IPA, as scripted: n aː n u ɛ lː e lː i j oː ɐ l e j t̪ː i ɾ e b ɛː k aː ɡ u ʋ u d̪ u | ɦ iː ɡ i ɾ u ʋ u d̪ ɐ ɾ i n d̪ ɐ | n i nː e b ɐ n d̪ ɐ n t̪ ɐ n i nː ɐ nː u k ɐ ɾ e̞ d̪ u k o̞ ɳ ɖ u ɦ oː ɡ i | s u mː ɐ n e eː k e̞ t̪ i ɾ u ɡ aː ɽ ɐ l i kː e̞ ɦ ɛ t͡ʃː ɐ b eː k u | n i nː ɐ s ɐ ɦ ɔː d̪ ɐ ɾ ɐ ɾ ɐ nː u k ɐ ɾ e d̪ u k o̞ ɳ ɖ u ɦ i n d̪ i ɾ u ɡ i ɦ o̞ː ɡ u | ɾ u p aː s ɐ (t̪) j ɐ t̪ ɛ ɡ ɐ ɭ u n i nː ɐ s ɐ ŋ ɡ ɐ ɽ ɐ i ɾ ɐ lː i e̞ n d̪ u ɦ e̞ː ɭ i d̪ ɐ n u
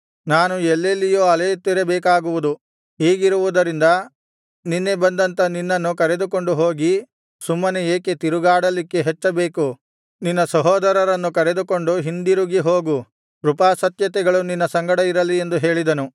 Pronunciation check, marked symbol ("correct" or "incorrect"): correct